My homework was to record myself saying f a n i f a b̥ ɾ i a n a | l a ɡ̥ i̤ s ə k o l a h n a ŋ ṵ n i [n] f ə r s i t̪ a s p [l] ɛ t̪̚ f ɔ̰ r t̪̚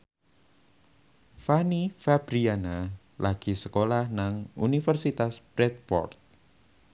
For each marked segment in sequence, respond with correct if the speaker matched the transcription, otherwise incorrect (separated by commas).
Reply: incorrect, incorrect